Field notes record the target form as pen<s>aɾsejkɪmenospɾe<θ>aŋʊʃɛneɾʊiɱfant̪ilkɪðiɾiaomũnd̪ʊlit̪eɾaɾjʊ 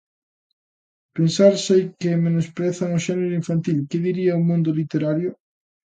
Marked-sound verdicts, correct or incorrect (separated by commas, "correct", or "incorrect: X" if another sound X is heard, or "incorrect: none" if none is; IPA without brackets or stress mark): correct, correct